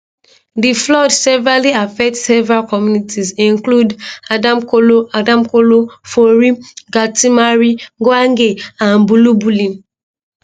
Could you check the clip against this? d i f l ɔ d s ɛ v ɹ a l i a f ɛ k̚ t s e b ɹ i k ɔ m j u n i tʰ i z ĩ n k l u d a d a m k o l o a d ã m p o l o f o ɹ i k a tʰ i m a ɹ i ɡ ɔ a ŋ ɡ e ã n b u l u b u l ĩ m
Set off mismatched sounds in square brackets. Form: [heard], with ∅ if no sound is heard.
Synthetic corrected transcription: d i f l ɔ d s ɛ v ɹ a l i a f ɛ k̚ t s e [v] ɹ [a] k ɔ m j u n i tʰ i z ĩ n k l u d a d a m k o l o a d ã m [k] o l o f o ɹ i [ɡ] a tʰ i m a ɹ i ɡ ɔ a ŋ ɡ e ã n b u l u b u l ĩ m